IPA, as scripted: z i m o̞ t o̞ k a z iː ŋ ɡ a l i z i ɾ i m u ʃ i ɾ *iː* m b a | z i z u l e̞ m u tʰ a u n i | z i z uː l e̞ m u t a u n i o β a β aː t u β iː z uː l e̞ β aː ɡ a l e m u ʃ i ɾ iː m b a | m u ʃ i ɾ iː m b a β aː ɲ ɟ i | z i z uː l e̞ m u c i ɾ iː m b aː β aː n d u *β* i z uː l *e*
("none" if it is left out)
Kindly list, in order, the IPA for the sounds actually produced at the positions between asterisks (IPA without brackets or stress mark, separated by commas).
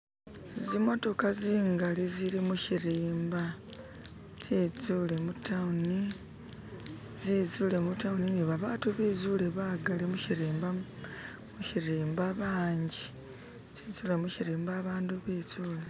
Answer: iː, β, e